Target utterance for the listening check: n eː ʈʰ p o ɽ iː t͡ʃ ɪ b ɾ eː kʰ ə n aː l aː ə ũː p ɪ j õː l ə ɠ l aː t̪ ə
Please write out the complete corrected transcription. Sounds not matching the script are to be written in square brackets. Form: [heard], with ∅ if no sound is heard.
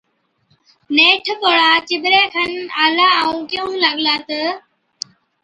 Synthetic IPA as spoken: n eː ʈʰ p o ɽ [aː] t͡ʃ ɪ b ɾ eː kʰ ə n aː l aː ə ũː [k] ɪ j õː l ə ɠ l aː t̪ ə

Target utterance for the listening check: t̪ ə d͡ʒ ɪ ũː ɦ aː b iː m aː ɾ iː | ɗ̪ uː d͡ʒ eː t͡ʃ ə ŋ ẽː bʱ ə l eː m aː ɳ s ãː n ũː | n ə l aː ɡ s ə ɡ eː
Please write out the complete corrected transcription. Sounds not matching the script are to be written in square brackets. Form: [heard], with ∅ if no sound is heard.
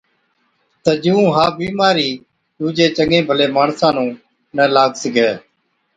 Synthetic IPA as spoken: t̪ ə d͡ʒ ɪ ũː ɦ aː b iː m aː ɾ iː | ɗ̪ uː d͡ʒ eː t͡ʃ ə ŋ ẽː bʱ ə l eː m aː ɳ s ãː n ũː | n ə l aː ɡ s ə ɡ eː

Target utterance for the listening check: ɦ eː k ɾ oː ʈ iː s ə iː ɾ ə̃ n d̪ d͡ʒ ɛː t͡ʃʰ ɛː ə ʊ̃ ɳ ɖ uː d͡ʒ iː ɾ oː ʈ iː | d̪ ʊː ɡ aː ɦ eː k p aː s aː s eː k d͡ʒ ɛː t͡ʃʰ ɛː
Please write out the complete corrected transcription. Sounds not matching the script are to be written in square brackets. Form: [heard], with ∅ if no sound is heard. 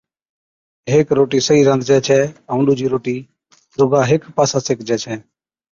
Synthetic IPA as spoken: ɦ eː k ɾ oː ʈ iː s ə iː ɾ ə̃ n d̪ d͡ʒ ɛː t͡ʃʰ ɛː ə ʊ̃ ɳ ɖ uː d͡ʒ iː ɾ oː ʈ iː | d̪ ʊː ɡ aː ɦ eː k p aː s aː s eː k d͡ʒ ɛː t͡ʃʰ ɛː

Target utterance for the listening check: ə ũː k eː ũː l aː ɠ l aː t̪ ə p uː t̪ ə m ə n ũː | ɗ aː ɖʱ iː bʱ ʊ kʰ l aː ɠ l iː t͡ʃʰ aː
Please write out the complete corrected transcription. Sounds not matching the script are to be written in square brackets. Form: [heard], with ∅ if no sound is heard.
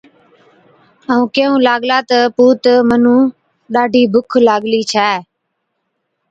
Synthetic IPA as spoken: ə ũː k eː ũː l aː ɠ l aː t̪ ə p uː t̪ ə m ə n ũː | ɗ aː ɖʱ iː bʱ ʊ kʰ l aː ɠ l iː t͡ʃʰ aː

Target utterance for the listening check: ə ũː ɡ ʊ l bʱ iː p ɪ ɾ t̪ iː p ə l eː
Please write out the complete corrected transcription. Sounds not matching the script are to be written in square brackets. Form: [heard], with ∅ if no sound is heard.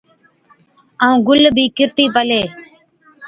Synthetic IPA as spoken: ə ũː ɡ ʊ l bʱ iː [k] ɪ ɾ t̪ iː p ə l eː

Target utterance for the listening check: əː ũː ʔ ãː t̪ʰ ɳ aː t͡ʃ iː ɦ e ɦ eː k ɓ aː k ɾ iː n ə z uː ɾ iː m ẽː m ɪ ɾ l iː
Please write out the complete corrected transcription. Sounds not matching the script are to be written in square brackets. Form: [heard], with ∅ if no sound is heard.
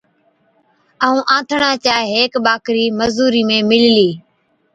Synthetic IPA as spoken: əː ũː ʔ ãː t̪ʰ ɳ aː t͡ʃ [aː] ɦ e ɦ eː k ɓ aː k ɾ iː [m] ə z uː ɾ iː m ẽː m ɪ [l] l iː

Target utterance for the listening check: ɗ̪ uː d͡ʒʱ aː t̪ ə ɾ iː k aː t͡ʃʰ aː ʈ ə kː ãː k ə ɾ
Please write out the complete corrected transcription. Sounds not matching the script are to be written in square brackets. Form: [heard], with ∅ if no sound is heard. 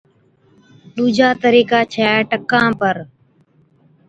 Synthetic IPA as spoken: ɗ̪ uː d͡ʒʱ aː t̪ ə ɾ iː k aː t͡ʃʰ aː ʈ ə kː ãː [p] ə ɾ

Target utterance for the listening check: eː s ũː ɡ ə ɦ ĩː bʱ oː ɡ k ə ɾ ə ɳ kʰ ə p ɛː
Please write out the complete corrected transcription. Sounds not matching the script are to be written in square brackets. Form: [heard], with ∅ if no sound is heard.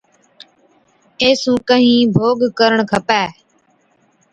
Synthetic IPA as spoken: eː s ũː [k] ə ɦ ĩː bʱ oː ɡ k ə ɾ ə ɳ kʰ ə p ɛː

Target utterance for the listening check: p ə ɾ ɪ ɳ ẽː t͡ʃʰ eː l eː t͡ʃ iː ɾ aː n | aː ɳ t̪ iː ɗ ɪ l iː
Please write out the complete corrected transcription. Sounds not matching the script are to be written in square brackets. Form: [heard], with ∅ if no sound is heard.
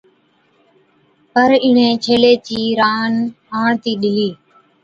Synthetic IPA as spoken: p ə ɾ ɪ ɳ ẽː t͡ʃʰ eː l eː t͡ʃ iː ɾ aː n | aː ɳ t̪ iː ɗ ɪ l iː

